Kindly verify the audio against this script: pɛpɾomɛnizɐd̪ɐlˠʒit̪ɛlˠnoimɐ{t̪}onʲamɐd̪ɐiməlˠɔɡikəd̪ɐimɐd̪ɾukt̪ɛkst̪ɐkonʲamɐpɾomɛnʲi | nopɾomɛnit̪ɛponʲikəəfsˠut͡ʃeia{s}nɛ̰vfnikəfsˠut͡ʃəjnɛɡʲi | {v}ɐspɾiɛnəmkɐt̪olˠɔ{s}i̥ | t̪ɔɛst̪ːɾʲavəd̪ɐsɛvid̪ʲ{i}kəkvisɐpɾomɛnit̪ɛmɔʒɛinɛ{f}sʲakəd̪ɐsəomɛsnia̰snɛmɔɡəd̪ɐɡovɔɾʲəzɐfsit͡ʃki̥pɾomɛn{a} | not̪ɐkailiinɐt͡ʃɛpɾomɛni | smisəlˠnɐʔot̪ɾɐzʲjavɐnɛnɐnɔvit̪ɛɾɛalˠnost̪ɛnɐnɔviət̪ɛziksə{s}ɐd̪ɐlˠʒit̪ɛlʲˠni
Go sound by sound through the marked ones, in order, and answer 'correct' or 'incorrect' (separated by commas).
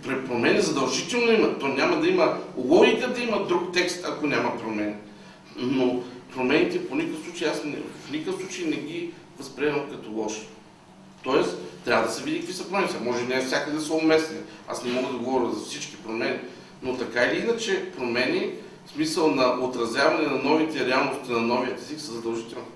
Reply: correct, correct, correct, incorrect, correct, correct, incorrect, incorrect